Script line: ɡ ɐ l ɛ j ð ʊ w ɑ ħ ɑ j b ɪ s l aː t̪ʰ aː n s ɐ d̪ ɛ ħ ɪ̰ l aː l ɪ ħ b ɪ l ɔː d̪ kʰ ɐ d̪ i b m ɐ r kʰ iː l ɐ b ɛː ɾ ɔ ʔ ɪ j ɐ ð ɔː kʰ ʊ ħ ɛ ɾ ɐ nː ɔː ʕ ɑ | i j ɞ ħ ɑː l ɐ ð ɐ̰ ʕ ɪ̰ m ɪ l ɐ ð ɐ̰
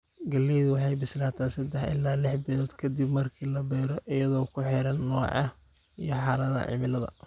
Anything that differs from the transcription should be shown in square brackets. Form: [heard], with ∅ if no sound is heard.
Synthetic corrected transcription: ɡ ɐ l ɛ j ð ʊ w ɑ ħ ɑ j b ɪ s l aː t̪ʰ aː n s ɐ d̪ ɛ ħ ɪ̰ l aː l ɪ ħ b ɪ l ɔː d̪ kʰ ɐ d̪ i b m ɐ r kʰ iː l ɐ b ɛː ɾ ɔ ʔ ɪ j ɐ ð ɔː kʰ ʊ ħ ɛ ɾ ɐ nː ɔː ʕ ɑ | i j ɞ ħ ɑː l ɐ ð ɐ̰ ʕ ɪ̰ m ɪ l ɐ ð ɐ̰